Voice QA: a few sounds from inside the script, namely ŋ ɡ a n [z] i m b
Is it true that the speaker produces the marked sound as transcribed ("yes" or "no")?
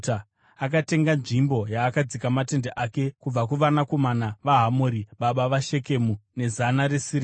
no